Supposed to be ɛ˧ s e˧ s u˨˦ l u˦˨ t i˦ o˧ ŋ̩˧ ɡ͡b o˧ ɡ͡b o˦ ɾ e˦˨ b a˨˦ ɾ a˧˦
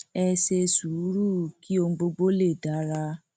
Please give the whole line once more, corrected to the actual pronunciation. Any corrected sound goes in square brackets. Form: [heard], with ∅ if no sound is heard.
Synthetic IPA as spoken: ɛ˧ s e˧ s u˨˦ [ɾ] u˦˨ [k] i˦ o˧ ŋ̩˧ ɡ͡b o˧ ɡ͡b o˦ [l] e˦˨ [d] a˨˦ ɾ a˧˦